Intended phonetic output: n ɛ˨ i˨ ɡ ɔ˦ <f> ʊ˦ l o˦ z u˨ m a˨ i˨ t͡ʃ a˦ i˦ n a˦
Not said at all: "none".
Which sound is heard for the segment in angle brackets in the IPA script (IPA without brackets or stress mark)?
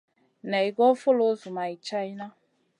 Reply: f